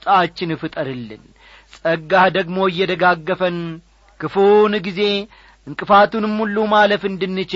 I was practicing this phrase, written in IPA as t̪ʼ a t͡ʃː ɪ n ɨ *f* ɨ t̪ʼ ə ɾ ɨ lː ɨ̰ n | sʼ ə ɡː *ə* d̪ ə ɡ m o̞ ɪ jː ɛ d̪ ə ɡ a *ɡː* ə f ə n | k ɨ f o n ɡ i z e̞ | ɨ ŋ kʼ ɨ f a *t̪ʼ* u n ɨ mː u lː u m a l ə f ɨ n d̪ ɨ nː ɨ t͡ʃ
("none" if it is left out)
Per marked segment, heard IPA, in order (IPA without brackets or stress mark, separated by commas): f, a, ɡː, t̪